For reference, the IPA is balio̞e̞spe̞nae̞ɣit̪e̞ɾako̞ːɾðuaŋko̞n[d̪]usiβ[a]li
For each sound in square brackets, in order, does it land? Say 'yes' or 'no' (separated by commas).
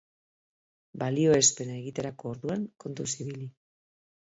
no, no